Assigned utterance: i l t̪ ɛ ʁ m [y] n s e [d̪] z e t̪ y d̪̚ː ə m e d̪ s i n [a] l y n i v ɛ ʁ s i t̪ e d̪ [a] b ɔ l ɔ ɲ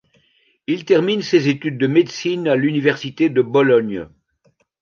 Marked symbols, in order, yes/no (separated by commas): no, no, yes, no